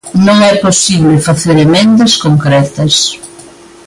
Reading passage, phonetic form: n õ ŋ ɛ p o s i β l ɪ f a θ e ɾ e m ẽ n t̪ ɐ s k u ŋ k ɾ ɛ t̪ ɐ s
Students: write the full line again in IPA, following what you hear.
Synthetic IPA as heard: n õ ŋ ɛ p o s i β l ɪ f a θ e ɾ e m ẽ n d̪ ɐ s k o ŋ k ɾ ɛ t̪ ɐ s